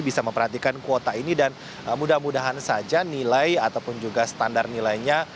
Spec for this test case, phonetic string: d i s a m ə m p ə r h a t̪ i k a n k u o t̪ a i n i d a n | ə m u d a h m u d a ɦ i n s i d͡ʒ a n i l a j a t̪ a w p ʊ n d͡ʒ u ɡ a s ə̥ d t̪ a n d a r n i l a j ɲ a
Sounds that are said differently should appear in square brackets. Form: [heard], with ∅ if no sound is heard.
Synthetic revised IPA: [b] i s a m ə m p ə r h a t̪ i k a n k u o t̪ a i n i d a n | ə m u d a h m u d a ɦ [a] n s [a] d͡ʒ a n i l a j a t̪ a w p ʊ n d͡ʒ u ɡ a s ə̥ [∅] t̪ a n d a r n i l a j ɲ a